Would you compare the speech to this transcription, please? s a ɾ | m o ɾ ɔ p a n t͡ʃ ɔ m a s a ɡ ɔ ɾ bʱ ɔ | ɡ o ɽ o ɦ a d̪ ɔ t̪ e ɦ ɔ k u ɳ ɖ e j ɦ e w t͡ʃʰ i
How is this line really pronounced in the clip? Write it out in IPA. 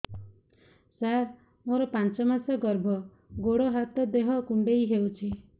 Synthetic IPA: s a ɾ | m o ɾ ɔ p a n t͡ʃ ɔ m a s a ɡ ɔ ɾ bʱ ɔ | ɡ o ɽ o ɦ a t̪ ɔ d̪ e ɦ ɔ k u ɳ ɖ e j ɦ e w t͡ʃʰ i